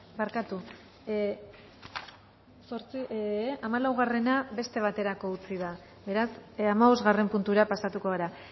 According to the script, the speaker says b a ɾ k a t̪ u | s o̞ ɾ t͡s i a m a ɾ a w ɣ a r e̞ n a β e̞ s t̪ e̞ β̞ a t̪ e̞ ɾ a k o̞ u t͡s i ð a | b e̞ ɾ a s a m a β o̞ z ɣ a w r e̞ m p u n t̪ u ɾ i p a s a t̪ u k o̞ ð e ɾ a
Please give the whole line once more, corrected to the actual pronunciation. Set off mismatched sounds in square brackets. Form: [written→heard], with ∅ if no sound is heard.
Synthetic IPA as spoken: b a ɾ k a t̪ u | s o̞ ɾ t͡s i a m a [ɾ→l] a w ɣ a r e̞ n a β e̞ s t̪ e̞ β̞ a t̪ e̞ ɾ a k o̞ u t͡s i ð a | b e̞ ɾ a s a m a β o̞ z ɣ a [w→∅] r e̞ m p u n t̪ u ɾ [i→a] p a s a t̪ u k o̞ [ð→ɣ] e ɾ a

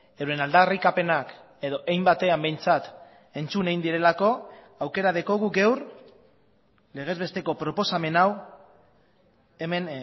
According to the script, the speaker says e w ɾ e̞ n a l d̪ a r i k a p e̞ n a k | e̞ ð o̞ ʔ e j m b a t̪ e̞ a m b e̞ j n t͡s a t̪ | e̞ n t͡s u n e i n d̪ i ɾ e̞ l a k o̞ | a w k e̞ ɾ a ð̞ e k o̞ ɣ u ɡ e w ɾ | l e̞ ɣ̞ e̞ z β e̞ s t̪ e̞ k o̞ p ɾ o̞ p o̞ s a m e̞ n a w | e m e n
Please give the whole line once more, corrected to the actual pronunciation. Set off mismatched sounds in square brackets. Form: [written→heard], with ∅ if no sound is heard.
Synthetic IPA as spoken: e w ɾ e̞ n a l d̪ a r i k a p e̞ n a k | e̞ ð o̞ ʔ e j m b a t̪ e̞ a m b e̞ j n t͡s a t̪ | e̞ n t͡s u n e i n d̪ i ɾ e̞ l a k o̞ | a w k e̞ ɾ a ð̞ e k o̞ ɣ u ɡ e w ɾ | l e̞ ɣ̞ e̞ z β e̞ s t̪ e̞ k o̞ p ɾ o̞ p o̞ s a m e̞ n a w | e m e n

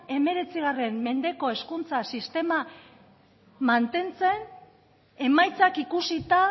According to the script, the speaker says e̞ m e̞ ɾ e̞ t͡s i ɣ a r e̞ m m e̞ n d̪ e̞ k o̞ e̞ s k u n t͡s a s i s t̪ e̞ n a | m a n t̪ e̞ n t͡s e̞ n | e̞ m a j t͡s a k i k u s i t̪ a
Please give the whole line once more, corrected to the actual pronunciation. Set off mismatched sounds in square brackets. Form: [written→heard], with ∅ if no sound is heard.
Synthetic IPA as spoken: e̞ m e̞ ɾ e̞ t͡s i ɣ a r e̞ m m e̞ n d̪ e̞ k o̞ e̞ s k u n t͡s a s i s t̪ e̞ [n→m] a | m a n t̪ e̞ n t͡s e̞ n | e̞ m a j t͡s a k i k u s i t̪ a

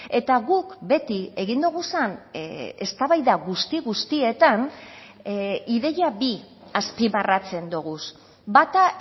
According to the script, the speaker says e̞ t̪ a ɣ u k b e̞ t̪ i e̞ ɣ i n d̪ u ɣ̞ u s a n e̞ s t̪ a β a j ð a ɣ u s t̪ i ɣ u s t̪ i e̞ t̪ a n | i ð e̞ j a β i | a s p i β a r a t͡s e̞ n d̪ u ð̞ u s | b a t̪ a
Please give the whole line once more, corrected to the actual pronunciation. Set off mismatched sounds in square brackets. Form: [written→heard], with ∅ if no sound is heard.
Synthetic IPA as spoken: e̞ t̪ a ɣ u k b e̞ t̪ i e̞ ɣ i n d̪ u ɣ̞ u s a n e̞ s t̪ a β a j ð a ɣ u s t̪ i ɣ u s t̪ i e̞ t̪ a n | i ð e̞ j a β i | a s p i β a r a t͡s e̞ n d̪ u [ð̞→ɣ̞] u s | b a t̪ a

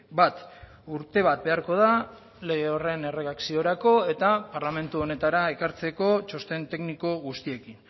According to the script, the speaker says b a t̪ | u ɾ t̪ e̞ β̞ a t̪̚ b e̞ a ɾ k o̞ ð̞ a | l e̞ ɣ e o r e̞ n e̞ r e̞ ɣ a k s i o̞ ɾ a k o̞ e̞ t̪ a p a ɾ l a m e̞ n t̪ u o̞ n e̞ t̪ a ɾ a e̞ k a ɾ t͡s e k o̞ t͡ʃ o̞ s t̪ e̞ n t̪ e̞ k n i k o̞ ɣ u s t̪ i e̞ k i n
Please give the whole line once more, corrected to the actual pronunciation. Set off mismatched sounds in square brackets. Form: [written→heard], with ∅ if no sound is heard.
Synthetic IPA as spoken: b a t̪ | u ɾ t̪ e̞ β̞ a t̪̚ b e̞ a ɾ k o̞ ð̞ a | l e̞ ɣ e o r e̞ n e̞ r e̞ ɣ a k s i o̞ ɾ a k o̞ e̞ t̪ a p a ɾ l a m e̞ n t̪ u o̞ n e̞ t̪ a ɾ a e̞ k a ɾ t͡s e k o̞ t͡ʃ o̞ s t̪ e̞ n t̪ e̞ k n i k o̞ ɣ u s t̪ i e̞ k i n

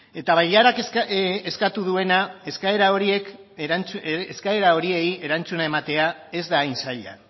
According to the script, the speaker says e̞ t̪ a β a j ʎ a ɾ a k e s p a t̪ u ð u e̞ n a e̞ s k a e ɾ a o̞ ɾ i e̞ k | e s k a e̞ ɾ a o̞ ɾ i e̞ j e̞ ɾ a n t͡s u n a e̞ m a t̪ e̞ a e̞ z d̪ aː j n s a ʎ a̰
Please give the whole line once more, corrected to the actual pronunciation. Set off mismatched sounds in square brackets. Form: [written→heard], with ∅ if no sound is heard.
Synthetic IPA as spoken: e̞ t̪ a β a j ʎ a ɾ a k e s [p→k] a t̪ u ð u e̞ n a e̞ s k a e ɾ a o̞ ɾ i e̞ k | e s k a e̞ ɾ a o̞ ɾ i e̞ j e̞ ɾ a n t͡s u n a e̞ m a t̪ e̞ a e̞ z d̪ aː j n s a ʎ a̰

